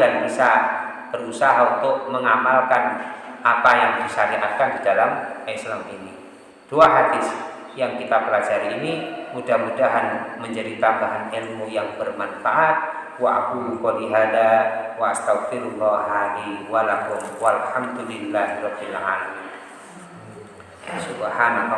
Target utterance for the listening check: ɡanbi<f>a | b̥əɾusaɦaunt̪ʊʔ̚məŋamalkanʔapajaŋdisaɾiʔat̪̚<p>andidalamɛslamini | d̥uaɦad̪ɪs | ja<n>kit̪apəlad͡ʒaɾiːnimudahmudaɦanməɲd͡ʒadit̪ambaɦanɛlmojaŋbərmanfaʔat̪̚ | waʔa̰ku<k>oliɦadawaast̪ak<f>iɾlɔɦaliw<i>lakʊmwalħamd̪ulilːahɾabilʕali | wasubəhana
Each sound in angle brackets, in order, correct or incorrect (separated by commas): incorrect, incorrect, incorrect, correct, correct, incorrect